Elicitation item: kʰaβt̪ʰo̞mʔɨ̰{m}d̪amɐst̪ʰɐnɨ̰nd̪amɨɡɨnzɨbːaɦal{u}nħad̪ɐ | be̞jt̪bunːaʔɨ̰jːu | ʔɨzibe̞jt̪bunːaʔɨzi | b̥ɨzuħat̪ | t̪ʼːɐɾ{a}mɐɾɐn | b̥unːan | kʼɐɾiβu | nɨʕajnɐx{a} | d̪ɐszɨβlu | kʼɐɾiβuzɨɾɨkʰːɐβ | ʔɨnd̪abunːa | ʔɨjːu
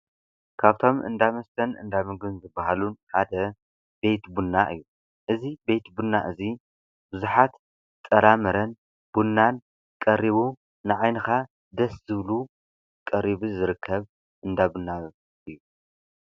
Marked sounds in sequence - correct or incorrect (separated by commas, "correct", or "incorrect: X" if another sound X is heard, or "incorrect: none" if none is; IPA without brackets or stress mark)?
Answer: incorrect: n, correct, correct, correct